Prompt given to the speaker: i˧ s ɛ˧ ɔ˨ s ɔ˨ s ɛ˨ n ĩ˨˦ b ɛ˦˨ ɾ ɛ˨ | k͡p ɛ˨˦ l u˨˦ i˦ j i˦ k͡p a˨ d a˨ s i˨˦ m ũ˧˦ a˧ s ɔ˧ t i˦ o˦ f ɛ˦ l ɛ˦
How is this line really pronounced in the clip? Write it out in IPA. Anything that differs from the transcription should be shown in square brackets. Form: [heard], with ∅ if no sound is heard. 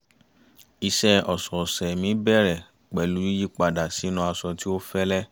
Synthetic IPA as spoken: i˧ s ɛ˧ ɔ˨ s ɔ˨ s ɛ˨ [m] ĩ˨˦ b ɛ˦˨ ɾ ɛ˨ | k͡p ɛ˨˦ l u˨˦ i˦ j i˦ k͡p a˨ d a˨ s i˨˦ [n] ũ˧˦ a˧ s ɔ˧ t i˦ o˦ f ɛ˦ l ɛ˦